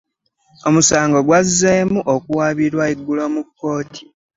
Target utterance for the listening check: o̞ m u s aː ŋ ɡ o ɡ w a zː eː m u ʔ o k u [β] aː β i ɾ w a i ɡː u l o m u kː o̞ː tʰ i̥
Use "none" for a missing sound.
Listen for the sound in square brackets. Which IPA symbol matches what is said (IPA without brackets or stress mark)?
w